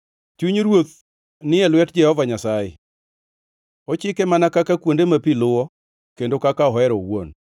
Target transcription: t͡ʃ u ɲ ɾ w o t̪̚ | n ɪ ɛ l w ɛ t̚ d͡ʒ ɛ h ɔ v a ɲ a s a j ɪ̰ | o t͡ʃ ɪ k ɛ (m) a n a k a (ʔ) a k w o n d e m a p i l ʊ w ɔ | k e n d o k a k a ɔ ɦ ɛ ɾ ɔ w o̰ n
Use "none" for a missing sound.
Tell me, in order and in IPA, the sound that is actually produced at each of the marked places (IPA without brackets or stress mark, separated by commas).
m, k